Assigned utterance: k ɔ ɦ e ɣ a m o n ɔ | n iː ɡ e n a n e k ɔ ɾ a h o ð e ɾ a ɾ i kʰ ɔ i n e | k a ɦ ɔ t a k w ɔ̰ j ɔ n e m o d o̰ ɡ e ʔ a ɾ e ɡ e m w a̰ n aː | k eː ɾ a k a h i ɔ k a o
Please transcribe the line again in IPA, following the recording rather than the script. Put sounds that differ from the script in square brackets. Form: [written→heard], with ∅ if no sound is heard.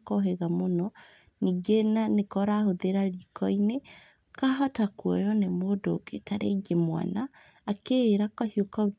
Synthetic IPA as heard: k ɔ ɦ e ɣ a m o n ɔ | n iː ɡ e n a n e k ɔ ɾ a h o ð e ɾ a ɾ i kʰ ɔ i n e | k a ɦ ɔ t a k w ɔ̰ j ɔ n e m o d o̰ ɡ e [ʔ→t] a ɾ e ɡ e m w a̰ n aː | k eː ɾ a k a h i [ɔ→o] k a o